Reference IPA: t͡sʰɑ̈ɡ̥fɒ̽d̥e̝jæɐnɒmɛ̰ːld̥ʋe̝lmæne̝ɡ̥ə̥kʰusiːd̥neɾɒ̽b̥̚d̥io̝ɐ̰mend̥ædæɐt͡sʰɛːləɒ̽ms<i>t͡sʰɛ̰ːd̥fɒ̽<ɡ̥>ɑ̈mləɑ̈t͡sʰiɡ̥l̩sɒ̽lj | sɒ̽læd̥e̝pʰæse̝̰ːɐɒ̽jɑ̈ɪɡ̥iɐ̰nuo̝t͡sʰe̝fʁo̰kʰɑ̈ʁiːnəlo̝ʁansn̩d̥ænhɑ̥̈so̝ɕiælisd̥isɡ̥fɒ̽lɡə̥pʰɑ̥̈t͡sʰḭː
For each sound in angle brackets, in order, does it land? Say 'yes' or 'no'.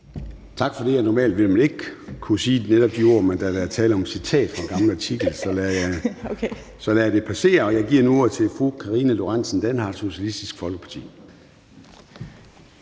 yes, yes

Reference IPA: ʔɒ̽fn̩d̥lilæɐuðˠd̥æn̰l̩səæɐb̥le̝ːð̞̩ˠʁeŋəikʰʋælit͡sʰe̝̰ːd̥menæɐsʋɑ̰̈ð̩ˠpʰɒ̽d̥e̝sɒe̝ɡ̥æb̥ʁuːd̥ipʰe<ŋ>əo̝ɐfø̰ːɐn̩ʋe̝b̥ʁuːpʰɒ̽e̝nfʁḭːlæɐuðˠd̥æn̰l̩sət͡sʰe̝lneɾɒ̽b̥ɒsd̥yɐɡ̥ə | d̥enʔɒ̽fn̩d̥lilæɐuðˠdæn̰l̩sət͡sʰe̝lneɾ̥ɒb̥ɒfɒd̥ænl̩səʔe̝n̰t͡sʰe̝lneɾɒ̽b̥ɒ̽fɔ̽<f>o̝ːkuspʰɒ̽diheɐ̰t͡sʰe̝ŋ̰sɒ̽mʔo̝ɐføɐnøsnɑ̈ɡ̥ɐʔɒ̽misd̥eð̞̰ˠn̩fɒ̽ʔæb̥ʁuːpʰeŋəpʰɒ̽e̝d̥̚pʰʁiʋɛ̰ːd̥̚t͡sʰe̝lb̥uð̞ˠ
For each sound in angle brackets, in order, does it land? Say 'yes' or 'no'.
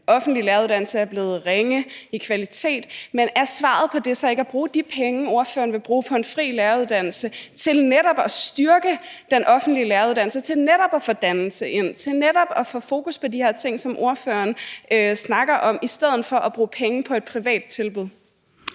yes, yes

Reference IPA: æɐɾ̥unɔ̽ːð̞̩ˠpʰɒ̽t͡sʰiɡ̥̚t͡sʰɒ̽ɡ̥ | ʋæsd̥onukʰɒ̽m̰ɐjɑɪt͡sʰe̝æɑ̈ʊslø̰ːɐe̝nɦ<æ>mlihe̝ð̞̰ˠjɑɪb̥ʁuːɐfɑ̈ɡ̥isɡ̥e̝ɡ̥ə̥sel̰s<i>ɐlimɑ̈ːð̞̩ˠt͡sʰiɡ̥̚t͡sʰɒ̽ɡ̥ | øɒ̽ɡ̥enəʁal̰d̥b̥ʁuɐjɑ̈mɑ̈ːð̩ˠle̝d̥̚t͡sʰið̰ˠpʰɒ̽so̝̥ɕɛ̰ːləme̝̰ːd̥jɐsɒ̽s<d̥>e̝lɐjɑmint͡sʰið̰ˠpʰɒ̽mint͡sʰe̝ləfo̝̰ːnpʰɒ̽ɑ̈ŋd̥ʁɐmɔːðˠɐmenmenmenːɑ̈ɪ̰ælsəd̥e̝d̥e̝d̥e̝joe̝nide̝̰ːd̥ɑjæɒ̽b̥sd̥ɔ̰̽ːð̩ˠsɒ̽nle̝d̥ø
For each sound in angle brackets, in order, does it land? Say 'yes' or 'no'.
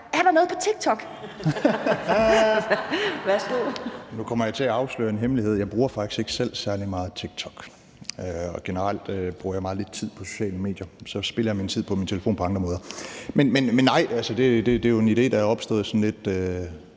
no, no, no

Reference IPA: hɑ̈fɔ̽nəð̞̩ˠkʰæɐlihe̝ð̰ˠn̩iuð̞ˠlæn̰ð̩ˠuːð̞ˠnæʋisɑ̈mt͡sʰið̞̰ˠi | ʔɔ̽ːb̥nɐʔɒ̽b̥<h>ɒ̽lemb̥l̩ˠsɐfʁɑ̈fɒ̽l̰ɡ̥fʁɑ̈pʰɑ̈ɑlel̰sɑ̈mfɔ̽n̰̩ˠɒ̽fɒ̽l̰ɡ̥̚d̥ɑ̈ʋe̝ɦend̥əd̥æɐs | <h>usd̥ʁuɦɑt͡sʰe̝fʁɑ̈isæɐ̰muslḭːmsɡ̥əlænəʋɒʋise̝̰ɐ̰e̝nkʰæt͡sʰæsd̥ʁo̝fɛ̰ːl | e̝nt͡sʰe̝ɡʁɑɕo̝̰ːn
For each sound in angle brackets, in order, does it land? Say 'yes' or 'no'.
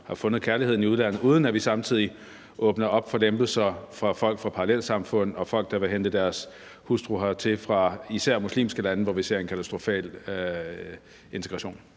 no, yes

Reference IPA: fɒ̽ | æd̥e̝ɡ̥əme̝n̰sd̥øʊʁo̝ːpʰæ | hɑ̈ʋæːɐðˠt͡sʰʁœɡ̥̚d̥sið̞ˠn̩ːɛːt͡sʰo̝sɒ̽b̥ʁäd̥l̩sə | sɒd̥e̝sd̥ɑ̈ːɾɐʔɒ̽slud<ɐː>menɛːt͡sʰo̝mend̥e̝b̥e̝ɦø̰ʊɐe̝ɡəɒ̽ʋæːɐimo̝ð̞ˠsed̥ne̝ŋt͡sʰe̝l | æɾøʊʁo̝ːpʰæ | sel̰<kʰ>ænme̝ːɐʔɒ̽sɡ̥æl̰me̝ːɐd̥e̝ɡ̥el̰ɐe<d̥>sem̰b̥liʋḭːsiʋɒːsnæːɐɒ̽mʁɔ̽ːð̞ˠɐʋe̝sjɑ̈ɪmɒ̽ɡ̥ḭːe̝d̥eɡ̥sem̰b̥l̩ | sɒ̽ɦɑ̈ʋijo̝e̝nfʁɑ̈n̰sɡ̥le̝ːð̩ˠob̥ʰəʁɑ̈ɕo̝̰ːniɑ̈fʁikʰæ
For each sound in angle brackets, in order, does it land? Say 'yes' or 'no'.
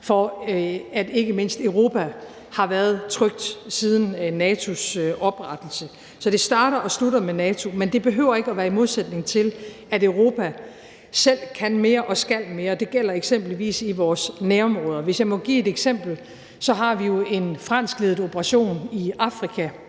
no, yes, no

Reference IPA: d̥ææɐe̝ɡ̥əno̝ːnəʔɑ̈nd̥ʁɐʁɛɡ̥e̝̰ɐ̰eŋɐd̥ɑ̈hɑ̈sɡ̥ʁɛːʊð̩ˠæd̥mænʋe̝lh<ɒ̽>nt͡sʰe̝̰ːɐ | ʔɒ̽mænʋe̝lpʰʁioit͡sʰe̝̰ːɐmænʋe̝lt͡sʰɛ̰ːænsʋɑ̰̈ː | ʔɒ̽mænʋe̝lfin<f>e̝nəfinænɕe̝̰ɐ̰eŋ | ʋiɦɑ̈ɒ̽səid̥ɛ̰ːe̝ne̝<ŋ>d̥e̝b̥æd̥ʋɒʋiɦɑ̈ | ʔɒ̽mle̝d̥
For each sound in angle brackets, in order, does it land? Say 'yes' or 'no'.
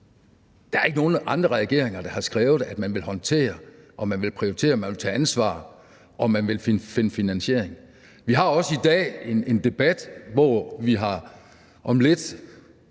yes, yes, no

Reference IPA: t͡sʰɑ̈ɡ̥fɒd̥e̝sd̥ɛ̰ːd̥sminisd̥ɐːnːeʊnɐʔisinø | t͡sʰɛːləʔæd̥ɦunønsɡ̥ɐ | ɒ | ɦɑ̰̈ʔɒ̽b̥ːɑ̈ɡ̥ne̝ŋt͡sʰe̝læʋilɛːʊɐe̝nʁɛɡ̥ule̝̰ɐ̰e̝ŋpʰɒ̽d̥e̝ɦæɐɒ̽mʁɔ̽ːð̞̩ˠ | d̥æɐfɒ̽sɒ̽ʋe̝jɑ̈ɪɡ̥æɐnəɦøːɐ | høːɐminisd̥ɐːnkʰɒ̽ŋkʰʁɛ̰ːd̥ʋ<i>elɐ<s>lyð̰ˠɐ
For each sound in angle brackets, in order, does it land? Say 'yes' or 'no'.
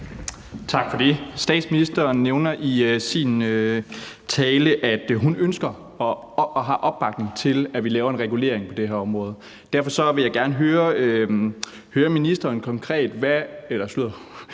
no, yes

